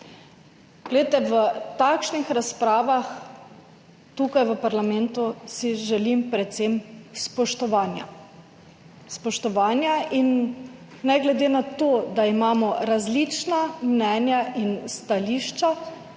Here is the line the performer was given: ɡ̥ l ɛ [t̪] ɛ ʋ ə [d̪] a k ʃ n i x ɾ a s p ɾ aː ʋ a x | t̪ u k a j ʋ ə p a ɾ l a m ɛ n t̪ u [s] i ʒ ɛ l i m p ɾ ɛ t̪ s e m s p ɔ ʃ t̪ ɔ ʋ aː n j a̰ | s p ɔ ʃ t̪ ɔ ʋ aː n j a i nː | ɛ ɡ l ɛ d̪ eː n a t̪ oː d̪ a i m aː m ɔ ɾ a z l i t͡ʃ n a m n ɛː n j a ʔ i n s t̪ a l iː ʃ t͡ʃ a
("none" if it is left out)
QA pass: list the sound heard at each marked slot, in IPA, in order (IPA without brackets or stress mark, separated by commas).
t̪, t̪, s